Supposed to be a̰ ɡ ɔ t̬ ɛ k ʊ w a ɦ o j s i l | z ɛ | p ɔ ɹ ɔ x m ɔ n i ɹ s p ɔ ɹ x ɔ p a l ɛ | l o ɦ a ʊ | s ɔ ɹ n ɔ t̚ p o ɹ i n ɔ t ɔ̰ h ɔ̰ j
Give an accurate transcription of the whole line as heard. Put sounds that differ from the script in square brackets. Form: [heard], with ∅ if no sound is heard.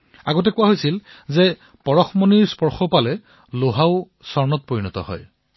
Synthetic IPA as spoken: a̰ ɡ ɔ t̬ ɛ k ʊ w a ɦ o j s i l | z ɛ | p ɔ ɹ ɔ x m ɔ n i ɹ s p ɔ ɹ x ɔ p a l ɛ | l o ɦ a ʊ | s ɔ ɹ n ɔ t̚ p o ɹ i n ɔ t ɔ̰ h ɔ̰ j